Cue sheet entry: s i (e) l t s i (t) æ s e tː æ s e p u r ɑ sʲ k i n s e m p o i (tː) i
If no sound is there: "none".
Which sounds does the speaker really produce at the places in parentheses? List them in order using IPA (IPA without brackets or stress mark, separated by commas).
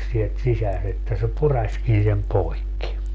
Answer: e, s, kː